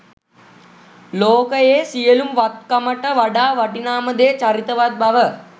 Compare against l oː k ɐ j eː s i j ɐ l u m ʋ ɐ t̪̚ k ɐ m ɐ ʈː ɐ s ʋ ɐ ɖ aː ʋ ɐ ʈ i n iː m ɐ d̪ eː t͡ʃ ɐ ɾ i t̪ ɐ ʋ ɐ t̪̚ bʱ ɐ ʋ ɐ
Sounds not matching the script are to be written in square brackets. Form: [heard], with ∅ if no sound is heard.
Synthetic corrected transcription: l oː k ɐ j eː s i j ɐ l u m ʋ ɐ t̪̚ k ɐ m ɐ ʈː ɐ [∅] ʋ ɐ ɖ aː ʋ ɐ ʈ i n [aː] m ɐ d̪ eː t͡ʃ ɐ ɾ i t̪ ɐ ʋ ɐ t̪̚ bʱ ɐ ʋ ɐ